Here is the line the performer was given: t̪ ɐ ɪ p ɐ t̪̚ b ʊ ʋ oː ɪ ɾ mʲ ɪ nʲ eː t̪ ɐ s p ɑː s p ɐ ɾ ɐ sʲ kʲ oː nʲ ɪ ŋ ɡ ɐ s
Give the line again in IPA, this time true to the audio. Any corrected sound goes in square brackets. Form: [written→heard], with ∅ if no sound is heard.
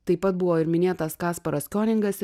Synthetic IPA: t̪ ɐ ɪ p ɐ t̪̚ b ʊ ʋ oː ɪ ɾ mʲ ɪ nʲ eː t̪ ɐ s [p→k] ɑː s p ɐ ɾ ɐ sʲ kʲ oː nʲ ɪ ŋ ɡ ɐ s